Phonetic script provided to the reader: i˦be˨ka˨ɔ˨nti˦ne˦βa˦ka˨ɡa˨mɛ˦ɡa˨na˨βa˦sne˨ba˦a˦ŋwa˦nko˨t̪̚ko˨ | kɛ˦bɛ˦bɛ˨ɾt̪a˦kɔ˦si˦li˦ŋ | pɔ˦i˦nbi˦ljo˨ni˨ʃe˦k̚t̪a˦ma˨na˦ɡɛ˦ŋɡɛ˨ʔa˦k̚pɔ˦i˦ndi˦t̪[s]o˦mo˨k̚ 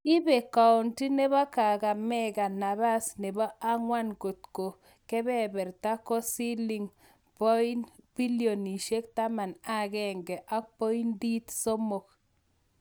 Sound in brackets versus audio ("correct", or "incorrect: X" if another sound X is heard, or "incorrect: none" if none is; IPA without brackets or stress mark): correct